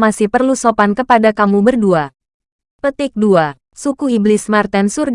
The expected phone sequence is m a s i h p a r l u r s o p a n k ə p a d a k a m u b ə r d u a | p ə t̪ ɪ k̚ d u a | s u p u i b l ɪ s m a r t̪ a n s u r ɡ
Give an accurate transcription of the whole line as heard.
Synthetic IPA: m a s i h p ə r l u s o p a n k ə p a d a k a m u b ə r d u a | p ə t̪ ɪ k̚ d u a | s u k u i b l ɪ s m a r t̪ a n s u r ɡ